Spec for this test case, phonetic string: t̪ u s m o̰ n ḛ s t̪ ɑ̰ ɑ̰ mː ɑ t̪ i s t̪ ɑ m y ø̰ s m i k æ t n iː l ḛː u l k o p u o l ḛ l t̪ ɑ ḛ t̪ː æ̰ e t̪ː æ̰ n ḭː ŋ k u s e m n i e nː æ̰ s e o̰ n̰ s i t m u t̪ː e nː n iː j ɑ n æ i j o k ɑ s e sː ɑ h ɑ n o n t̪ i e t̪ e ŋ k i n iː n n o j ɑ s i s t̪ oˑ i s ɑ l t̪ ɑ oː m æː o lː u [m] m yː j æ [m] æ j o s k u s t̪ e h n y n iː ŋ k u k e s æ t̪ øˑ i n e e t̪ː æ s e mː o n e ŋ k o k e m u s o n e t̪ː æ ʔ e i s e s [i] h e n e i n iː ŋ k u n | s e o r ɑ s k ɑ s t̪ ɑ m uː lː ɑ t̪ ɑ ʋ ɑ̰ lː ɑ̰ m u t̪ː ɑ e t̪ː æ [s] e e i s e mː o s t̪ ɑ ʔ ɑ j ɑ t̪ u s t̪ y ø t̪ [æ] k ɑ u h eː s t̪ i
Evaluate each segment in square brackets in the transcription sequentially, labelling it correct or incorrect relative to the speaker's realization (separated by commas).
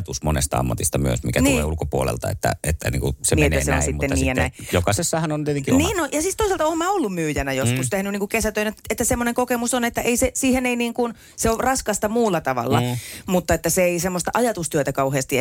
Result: correct, incorrect, incorrect, correct, correct